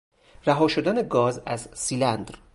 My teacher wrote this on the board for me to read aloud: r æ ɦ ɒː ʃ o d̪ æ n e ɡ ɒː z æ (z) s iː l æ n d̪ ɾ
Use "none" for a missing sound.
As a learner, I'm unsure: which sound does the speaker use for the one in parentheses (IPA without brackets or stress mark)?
z